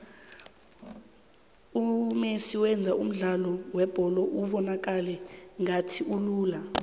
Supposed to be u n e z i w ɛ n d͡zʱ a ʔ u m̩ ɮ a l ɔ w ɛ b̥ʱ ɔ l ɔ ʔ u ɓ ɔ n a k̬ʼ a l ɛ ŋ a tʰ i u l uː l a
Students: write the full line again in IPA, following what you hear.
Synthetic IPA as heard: u m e s i w ɛ n d͡zʱ a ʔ u m̩ ɮ a l ɔ w ɛ b̥ʱ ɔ l ɔ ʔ u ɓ ɔ n a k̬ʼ a l ɛ ŋ a tʰ i u l uː l a

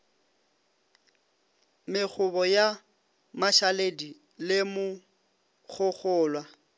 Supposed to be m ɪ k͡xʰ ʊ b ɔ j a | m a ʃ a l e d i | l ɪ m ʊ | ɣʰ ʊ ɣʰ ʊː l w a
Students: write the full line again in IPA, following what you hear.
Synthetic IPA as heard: m ɪ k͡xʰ ʊ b ɔ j a | m a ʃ a l e d i | l ɪ m ʊ | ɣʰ ʊ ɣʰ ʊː l w a

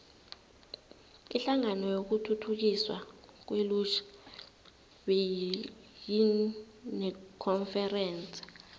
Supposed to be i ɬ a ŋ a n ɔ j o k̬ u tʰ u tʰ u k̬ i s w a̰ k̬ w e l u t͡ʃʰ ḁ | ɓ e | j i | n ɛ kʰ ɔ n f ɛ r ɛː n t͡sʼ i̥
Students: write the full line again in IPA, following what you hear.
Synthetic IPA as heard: i ɬ a ŋ a n ɔ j o k̬ u tʰ u tʰ u k̬ i s w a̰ k̬ w e l u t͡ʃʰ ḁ | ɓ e | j i | n ɛ kʰ ɔ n f ɛ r ɛː n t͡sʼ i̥

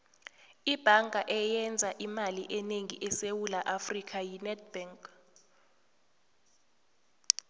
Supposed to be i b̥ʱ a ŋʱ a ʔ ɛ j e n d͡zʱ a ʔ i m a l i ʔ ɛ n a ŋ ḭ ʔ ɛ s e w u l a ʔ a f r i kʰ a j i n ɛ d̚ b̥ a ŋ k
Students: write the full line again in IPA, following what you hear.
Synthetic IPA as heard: i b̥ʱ a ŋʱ a ʔ ɛ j ɛ n d͡zʱ a ʔ i m a l i ʔ ɛ n e ŋ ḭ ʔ ɛ s e w u l a ʔ a f r i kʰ a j i n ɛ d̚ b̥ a ŋ k

